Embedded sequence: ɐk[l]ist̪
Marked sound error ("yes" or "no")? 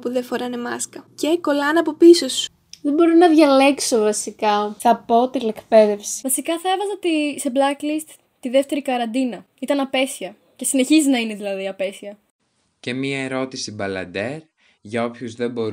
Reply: no